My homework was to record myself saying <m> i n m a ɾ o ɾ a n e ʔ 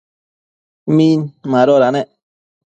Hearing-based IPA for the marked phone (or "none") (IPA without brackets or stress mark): m